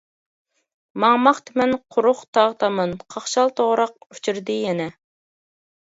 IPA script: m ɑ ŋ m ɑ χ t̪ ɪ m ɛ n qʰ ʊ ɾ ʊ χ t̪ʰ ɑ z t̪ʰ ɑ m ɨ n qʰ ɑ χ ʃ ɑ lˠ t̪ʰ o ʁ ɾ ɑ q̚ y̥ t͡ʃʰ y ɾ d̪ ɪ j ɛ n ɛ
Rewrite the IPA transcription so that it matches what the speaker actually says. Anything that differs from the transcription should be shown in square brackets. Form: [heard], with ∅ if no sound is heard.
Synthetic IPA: m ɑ ŋ m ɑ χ t̪ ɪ m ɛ n qʰ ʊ ɾ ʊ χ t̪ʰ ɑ [ʁ] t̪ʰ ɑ m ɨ n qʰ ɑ χ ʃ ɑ lˠ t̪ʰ o ʁ ɾ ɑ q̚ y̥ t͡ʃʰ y ɾ d̪ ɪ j ɛ n ɛ